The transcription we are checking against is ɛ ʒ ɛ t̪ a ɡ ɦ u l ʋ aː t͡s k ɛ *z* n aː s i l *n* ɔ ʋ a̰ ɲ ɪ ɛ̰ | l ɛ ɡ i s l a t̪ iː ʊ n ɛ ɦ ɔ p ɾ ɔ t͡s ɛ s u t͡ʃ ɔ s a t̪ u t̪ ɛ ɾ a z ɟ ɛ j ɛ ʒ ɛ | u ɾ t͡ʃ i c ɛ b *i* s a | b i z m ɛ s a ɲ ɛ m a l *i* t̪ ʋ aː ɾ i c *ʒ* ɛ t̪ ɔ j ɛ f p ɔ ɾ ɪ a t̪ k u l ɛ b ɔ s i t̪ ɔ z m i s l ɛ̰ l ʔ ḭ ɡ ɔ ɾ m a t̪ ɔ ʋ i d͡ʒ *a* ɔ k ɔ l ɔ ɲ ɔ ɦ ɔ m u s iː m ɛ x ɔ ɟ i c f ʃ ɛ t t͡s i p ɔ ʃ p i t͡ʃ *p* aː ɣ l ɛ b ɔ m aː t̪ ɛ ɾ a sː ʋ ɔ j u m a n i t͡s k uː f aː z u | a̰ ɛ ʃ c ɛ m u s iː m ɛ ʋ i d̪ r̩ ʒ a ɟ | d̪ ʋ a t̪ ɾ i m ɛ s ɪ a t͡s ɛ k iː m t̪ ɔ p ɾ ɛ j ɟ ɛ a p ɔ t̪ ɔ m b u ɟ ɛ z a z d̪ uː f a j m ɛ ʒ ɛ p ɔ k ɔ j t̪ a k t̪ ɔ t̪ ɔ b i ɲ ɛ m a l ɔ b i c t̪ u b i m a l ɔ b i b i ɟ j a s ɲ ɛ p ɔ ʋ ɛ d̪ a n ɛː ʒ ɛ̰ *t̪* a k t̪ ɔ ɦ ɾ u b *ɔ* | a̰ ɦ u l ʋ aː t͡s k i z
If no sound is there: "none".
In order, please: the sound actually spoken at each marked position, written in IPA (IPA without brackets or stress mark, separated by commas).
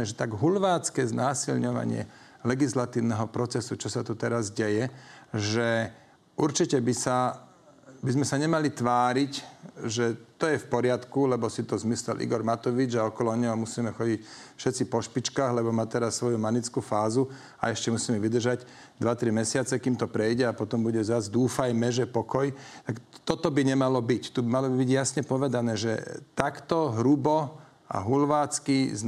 z, ɲ, i, i, ʒ, a, k, t̪, ɔ